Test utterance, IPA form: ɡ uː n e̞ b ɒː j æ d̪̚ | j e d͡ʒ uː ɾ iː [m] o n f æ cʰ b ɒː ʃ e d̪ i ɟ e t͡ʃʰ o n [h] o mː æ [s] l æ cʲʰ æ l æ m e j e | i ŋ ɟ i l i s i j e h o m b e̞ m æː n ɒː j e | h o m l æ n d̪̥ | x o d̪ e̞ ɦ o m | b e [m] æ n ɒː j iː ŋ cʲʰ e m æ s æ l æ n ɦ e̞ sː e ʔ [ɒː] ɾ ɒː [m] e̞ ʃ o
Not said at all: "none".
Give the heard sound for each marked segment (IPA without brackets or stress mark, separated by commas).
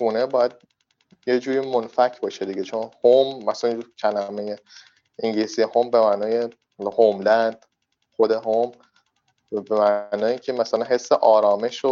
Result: m, h, s, m, ɒː, m